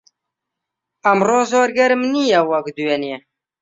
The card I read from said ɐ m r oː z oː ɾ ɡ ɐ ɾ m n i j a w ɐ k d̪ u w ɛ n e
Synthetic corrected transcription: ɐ m r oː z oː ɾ ɡ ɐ ɾ m n i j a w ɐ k d̪ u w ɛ n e